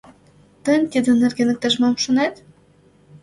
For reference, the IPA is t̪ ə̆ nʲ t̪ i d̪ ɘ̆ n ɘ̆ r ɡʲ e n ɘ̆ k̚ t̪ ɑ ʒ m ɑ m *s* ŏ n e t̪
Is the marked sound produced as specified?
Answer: no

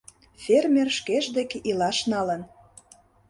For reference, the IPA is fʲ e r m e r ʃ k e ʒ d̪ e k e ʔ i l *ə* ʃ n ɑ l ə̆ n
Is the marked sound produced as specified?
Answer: no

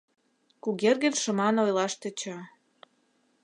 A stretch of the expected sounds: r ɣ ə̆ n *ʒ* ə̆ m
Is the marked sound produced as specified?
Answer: no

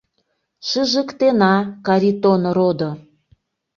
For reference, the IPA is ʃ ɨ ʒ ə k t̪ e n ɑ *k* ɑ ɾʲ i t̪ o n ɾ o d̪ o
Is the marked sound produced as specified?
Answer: yes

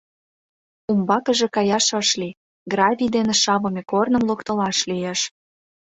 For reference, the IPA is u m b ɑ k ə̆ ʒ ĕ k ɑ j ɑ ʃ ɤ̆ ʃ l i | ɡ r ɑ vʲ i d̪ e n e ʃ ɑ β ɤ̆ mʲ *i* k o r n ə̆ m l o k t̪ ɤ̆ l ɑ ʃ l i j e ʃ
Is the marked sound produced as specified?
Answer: no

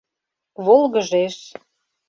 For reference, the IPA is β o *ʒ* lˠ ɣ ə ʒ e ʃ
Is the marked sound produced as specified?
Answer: no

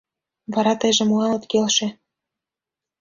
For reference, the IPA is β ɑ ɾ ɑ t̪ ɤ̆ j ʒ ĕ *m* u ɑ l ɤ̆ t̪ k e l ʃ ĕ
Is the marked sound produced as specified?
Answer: yes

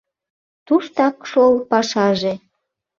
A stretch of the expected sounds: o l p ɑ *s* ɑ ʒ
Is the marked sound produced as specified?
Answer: no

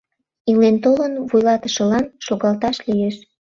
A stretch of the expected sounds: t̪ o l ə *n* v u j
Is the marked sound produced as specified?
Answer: yes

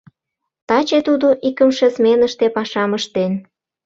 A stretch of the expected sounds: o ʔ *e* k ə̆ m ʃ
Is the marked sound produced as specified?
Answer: no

